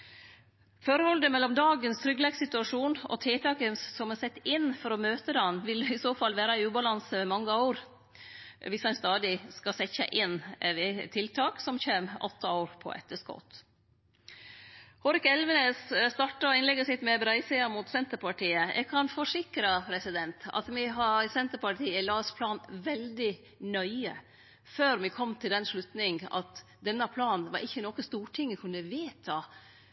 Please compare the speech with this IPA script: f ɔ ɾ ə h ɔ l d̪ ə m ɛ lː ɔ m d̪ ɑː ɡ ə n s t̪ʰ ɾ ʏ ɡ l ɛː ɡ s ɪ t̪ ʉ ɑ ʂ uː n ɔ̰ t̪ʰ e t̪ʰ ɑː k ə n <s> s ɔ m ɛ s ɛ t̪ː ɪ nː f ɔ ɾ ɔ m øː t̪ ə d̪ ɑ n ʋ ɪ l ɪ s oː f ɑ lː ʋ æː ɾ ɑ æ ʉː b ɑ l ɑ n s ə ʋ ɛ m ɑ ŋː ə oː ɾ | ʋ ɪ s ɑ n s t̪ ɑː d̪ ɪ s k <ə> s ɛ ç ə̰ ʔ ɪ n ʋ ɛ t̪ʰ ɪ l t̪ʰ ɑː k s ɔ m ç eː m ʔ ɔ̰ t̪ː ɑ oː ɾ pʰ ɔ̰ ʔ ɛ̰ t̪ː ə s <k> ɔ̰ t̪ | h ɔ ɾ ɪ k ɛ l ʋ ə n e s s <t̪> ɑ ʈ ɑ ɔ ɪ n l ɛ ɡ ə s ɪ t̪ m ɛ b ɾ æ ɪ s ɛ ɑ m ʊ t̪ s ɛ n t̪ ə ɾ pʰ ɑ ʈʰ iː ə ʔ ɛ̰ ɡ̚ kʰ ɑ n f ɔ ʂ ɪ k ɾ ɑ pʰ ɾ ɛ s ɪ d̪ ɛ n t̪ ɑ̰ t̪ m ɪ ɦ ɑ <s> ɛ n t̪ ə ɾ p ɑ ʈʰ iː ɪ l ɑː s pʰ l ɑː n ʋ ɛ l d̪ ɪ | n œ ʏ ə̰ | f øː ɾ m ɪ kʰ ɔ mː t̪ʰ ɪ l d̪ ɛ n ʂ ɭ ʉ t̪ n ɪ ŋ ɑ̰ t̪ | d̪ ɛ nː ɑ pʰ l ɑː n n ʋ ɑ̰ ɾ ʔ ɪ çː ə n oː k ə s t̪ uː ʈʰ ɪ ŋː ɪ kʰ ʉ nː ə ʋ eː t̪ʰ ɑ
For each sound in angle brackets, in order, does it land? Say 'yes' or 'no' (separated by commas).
yes, no, yes, yes, yes